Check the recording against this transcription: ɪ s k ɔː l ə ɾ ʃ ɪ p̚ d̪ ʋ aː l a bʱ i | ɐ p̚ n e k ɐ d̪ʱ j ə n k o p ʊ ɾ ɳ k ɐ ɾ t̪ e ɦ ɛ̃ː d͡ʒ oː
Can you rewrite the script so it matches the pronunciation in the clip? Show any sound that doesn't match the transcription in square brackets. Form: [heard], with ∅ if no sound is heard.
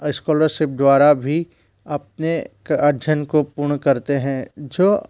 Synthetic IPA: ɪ s k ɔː l ə ɾ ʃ ɪ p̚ d̪ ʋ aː [ɾ] a bʱ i | ɐ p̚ n e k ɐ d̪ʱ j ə n k o p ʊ ɾ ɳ k ɐ ɾ t̪ e ɦ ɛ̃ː d͡ʒ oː